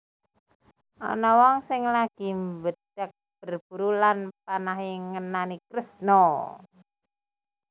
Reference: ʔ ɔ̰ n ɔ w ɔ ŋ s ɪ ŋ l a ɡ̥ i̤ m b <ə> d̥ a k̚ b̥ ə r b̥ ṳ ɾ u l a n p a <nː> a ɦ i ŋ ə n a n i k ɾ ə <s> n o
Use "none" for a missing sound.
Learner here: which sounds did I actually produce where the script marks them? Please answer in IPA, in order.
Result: ə, n, s

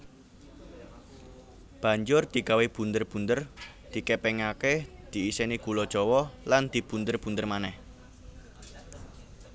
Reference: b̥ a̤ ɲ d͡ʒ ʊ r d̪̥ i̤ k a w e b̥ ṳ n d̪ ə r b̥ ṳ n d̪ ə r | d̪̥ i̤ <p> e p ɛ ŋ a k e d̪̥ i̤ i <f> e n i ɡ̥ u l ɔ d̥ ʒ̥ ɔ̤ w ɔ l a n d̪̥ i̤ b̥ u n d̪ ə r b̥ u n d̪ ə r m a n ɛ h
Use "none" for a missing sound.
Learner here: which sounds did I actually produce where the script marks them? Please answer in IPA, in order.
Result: k, s

